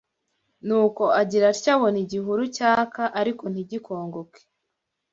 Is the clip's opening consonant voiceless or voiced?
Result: voiced